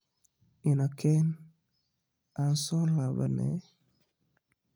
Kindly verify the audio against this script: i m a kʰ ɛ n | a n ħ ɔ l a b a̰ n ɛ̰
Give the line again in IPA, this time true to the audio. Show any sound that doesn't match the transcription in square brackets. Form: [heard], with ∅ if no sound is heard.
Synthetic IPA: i [n] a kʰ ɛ n | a n [s] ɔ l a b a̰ n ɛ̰